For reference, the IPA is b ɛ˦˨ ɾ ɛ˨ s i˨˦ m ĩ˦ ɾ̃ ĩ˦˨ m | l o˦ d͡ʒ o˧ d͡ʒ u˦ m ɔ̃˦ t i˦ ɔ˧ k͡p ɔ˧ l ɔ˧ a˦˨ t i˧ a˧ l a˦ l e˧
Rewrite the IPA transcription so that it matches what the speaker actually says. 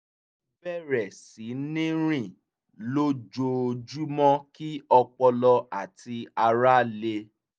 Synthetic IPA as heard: b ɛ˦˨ ɾ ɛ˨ s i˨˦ n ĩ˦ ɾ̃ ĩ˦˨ | l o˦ d͡ʒ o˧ d͡ʒ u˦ m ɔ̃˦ k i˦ ɔ˧ k͡p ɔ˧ l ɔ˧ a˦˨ t i˧ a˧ ɾ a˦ l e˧